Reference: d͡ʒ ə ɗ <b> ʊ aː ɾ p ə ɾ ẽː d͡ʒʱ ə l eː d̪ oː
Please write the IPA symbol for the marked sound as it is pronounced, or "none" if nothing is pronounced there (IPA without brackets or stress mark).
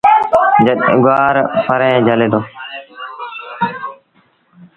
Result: ɡ